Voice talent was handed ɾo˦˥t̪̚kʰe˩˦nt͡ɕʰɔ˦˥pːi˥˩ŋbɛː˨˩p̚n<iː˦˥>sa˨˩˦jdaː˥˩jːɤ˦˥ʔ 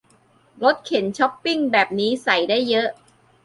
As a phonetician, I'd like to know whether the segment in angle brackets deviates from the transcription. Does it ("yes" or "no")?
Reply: no